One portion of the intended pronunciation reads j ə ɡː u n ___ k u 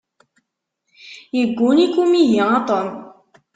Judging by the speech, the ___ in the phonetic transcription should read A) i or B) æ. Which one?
A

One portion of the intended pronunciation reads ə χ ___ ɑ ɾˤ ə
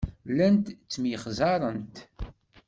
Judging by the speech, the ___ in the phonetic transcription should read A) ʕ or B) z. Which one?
B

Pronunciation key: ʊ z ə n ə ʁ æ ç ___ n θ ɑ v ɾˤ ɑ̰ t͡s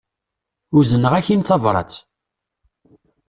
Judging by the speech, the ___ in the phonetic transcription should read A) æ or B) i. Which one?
B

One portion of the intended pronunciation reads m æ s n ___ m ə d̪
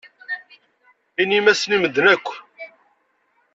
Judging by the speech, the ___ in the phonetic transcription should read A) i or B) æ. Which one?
A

